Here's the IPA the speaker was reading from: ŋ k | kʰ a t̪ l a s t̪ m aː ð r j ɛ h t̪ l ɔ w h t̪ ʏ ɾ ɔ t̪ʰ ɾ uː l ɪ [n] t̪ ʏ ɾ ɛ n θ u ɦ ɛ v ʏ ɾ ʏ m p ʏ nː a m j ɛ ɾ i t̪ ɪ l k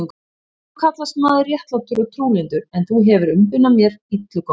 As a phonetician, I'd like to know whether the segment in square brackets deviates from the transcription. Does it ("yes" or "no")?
no